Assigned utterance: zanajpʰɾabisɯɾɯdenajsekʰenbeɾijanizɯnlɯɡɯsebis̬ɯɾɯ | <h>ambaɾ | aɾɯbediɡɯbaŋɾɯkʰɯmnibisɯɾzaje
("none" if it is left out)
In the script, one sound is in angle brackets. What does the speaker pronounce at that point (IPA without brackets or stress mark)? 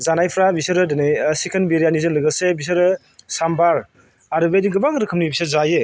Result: s